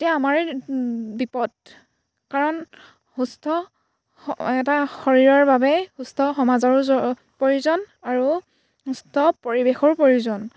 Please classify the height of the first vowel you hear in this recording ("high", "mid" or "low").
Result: mid